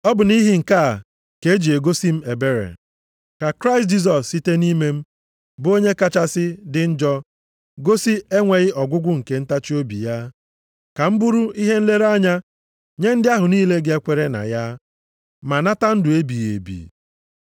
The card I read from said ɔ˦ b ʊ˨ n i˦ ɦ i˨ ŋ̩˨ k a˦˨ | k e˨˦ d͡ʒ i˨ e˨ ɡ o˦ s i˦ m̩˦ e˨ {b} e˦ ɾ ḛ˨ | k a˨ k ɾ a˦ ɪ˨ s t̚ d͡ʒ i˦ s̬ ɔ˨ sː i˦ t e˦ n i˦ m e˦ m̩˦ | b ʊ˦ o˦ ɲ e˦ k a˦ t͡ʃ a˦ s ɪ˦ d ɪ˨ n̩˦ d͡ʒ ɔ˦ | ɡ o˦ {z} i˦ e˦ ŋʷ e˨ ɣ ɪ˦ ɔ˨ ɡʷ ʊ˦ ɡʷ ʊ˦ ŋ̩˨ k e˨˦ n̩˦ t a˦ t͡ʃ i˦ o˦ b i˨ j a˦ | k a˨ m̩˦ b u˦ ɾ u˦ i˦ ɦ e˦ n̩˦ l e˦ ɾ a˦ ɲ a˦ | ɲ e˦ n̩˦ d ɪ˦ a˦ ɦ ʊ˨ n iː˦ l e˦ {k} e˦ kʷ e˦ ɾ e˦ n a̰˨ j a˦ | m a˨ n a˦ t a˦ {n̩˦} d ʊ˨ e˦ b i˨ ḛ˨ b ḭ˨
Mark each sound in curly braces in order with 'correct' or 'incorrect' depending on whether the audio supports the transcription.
correct, incorrect: s, incorrect: ɡ, correct

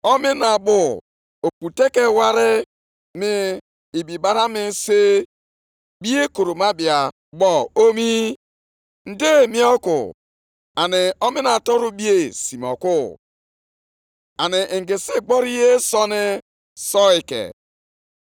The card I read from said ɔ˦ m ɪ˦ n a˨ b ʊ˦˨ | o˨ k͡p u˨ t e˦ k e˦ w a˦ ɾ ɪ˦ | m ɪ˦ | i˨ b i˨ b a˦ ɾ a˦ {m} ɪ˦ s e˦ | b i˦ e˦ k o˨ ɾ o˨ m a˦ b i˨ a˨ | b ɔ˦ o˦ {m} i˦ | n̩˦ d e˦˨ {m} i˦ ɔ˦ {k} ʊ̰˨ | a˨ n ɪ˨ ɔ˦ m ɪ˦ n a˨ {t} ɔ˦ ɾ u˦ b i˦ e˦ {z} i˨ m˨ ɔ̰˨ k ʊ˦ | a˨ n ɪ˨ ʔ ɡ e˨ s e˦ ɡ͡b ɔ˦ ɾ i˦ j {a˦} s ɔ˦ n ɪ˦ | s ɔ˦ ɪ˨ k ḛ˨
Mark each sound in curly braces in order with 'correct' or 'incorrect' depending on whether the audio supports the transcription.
correct, correct, correct, correct, correct, incorrect: s, incorrect: e˦

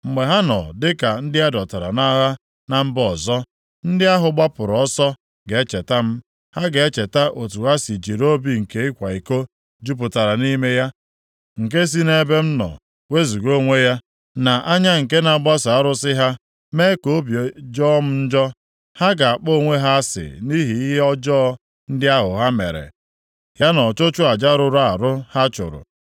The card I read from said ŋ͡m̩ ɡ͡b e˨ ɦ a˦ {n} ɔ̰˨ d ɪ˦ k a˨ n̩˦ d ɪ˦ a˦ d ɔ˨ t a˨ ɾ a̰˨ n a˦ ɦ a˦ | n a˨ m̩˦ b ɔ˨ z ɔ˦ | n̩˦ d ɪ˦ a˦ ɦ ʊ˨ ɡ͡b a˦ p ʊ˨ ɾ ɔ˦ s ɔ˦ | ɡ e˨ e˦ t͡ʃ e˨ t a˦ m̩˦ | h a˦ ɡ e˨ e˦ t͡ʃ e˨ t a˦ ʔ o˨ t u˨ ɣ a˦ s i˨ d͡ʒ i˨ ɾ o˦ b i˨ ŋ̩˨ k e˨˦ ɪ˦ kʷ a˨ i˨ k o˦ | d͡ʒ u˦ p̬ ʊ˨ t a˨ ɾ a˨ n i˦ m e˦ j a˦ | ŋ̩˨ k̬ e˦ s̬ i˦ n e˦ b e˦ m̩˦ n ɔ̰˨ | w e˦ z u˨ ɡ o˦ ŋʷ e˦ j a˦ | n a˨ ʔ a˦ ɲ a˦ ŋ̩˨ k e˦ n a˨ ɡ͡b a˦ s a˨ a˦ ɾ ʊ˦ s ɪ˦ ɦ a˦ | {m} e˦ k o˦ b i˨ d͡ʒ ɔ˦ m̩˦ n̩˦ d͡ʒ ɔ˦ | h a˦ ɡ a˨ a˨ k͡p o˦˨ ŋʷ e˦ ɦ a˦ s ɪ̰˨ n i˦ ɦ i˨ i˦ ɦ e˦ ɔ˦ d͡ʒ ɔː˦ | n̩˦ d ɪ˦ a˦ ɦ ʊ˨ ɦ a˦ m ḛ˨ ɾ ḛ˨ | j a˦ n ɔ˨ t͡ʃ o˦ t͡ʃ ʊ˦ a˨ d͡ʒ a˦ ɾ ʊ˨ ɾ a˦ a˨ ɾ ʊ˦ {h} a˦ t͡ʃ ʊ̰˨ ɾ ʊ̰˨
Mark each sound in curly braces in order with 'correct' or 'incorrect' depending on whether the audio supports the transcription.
correct, correct, correct

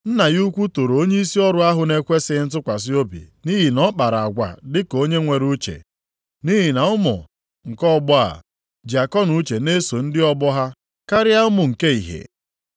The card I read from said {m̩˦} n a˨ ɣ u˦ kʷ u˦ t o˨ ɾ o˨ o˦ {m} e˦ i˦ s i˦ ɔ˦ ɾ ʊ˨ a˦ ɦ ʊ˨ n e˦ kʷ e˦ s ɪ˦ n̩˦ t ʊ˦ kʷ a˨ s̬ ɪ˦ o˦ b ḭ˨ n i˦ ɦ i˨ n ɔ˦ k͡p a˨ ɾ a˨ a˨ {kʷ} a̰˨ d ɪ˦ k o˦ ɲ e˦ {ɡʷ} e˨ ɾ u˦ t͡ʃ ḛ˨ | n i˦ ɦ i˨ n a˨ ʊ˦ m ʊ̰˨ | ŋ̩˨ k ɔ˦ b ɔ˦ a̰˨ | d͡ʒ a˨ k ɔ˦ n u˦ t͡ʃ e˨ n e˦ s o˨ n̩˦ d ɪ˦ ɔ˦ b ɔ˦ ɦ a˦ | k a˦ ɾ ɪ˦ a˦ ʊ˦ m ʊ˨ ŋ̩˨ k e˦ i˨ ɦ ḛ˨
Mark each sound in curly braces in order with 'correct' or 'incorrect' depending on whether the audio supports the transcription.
incorrect: n̩˦, incorrect: ɲ, incorrect: ɡʷ, incorrect: ŋʷ

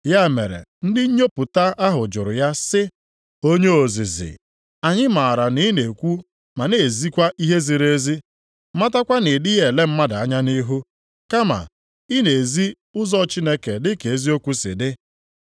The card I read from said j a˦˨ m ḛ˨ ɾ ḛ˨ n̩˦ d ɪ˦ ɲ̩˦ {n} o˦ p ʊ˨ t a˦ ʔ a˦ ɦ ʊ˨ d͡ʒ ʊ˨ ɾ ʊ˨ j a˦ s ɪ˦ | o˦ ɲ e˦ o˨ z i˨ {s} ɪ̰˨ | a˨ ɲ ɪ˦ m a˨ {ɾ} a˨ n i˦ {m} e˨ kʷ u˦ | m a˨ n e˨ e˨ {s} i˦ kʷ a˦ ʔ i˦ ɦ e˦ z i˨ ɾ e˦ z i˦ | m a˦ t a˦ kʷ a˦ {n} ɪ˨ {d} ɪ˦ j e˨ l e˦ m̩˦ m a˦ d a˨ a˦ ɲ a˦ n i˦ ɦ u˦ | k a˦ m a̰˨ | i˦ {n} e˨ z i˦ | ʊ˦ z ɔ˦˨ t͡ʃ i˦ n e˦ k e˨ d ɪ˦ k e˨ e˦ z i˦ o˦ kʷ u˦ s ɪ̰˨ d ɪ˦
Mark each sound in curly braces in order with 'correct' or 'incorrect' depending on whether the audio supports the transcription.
incorrect: ɲ, incorrect: z, correct, incorrect: n, incorrect: z, correct, correct, correct

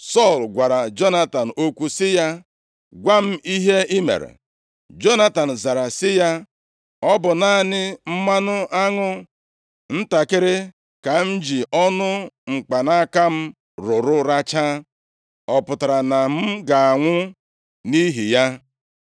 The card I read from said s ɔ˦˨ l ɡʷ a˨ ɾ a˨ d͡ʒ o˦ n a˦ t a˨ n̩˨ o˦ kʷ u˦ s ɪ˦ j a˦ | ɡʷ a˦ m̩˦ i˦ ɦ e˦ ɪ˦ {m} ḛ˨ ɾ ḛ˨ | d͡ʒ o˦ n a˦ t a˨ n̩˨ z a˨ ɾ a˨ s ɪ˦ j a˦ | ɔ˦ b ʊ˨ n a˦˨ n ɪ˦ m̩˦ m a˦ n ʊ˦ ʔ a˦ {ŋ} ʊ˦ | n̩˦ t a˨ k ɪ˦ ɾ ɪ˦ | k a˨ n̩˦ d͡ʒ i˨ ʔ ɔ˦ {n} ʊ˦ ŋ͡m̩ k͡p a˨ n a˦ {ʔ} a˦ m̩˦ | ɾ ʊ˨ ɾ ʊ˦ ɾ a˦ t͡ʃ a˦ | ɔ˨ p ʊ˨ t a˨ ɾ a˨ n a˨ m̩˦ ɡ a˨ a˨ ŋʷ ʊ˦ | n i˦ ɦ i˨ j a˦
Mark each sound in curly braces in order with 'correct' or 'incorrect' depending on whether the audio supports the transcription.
correct, correct, correct, incorrect: k

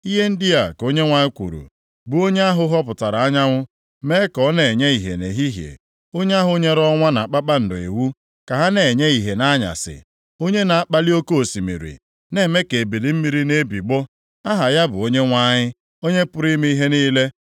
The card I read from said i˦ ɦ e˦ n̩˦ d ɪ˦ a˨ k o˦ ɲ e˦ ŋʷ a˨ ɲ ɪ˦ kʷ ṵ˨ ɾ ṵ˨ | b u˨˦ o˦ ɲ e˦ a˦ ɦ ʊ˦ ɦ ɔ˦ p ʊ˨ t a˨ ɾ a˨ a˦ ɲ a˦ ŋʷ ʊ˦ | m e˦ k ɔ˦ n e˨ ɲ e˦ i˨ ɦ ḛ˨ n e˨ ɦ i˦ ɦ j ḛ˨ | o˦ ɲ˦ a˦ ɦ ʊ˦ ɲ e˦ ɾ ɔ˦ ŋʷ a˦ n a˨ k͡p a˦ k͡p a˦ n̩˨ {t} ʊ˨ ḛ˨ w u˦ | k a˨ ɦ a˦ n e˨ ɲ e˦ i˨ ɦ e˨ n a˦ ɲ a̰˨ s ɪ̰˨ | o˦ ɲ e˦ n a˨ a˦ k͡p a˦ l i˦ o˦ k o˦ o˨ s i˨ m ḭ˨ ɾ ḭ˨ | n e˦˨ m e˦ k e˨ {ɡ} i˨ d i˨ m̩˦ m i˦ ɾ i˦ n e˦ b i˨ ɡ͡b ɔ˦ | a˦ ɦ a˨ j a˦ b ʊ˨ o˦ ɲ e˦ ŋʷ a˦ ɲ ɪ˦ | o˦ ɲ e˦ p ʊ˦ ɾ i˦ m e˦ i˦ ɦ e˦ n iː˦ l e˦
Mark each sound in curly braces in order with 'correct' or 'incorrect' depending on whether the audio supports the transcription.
incorrect: d, incorrect: b

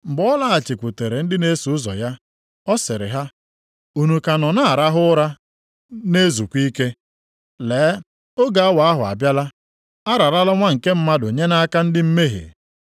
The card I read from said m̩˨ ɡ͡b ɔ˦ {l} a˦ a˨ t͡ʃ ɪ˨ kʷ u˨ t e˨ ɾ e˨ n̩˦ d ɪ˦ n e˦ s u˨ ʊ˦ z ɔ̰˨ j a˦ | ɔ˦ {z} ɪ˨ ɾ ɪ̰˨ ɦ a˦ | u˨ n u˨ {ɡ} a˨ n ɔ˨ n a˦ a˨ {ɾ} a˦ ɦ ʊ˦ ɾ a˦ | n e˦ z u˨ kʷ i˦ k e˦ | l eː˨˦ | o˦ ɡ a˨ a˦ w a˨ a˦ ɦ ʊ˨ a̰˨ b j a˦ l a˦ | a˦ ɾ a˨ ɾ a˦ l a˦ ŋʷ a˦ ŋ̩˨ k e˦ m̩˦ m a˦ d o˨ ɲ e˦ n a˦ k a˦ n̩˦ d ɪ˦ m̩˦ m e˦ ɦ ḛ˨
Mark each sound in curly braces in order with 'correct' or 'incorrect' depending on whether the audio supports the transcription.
correct, incorrect: s, incorrect: k, correct

